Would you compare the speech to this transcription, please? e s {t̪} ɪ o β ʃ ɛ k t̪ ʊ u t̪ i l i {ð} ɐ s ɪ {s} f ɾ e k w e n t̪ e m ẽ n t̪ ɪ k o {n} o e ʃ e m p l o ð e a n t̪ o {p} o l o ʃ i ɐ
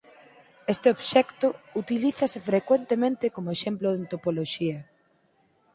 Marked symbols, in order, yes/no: yes, no, no, no, yes

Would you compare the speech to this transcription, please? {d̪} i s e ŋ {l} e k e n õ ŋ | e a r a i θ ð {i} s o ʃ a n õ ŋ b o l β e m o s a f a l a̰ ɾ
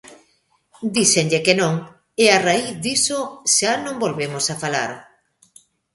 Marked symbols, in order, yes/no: yes, no, yes

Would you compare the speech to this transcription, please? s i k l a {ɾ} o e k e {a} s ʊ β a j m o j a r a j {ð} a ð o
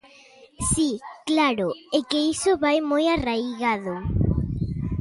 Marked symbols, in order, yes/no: yes, no, no

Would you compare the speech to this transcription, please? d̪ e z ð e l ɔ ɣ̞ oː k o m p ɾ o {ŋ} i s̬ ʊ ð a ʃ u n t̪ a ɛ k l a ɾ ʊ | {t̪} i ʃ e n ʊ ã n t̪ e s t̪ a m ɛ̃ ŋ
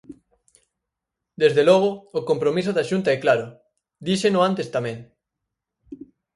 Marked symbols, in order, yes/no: no, no

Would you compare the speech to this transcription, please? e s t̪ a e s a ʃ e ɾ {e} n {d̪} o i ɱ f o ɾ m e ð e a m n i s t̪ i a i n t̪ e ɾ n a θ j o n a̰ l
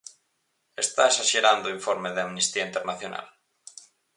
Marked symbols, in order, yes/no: no, yes

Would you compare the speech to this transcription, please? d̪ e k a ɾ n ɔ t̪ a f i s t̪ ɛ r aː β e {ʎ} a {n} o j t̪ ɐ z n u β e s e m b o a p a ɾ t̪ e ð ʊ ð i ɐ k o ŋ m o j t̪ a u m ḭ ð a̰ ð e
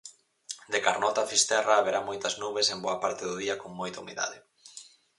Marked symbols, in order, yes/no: no, no

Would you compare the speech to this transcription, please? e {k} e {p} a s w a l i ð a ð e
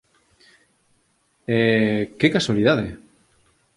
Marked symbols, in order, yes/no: yes, no

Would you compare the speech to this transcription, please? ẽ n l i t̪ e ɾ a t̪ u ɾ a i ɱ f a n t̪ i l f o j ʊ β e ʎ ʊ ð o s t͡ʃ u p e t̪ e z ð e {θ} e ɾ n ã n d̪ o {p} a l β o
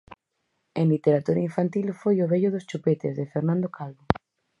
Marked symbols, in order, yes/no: no, no

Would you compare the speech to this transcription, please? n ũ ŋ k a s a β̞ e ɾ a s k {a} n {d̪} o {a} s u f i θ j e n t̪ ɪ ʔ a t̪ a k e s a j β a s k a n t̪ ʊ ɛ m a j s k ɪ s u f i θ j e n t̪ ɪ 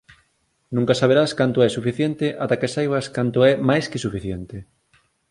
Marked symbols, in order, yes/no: yes, no, no

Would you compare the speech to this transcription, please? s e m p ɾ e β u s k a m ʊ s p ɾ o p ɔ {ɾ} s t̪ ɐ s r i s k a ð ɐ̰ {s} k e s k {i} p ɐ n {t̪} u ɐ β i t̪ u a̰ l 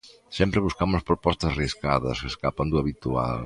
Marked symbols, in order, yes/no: no, yes, no, no

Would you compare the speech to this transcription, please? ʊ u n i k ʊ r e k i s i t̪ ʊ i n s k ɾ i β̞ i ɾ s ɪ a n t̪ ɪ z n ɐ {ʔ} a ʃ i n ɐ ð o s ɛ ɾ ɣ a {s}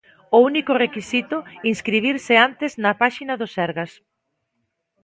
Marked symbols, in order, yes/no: no, yes

